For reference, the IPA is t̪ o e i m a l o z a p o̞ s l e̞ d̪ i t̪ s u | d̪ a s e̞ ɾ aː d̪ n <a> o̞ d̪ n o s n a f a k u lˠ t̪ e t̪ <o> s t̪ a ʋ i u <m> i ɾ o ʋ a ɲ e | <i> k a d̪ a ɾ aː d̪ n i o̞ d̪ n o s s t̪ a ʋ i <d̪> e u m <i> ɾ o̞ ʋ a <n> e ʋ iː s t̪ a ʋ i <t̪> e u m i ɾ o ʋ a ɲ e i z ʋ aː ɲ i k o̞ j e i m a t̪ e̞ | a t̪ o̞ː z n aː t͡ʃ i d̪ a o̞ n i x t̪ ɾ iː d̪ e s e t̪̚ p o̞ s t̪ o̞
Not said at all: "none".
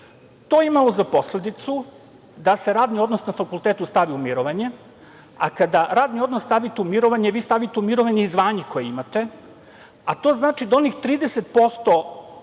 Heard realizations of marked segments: i, u, m, a, t̪, i, ɲ, t̪

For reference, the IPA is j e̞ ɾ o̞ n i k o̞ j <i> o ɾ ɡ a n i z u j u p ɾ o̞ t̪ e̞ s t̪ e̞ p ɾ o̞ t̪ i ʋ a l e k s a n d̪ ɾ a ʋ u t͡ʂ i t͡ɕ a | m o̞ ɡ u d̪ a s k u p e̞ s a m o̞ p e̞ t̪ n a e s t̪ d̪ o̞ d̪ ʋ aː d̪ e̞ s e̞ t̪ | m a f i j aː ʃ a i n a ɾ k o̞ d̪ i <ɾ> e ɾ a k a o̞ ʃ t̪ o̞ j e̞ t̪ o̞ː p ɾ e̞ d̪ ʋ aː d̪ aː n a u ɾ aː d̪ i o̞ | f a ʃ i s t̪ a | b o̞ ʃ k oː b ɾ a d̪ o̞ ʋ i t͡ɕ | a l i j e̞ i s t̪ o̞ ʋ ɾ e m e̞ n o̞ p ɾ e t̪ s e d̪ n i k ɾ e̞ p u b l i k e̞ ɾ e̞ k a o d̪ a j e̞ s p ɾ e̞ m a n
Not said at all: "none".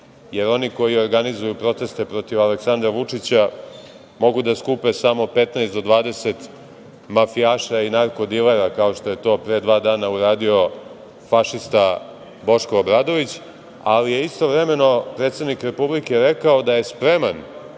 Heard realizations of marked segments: i, l

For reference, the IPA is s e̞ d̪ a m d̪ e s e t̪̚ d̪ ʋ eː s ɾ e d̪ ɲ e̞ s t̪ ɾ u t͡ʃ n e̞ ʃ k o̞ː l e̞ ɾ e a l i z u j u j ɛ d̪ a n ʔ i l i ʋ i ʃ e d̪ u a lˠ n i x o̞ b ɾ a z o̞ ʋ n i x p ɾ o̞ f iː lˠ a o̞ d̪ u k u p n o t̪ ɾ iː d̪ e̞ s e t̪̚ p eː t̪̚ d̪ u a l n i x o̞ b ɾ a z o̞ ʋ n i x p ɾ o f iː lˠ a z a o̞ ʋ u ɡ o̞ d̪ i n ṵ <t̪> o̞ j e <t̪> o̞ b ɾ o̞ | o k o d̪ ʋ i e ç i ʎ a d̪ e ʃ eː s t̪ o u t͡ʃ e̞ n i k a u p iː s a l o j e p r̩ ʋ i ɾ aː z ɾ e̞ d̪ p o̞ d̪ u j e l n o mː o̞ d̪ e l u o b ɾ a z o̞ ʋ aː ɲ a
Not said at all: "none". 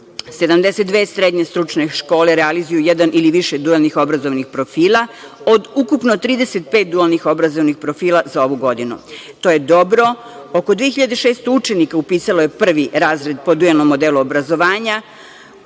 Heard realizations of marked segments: t̪, d̪

